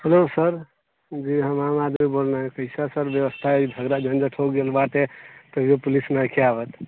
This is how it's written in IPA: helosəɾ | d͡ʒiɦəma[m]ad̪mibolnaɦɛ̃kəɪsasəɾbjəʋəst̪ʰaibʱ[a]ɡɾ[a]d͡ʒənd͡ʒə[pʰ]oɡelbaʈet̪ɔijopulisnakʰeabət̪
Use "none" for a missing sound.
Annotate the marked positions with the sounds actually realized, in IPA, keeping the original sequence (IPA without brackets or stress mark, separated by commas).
m, ə, a, ʈʰ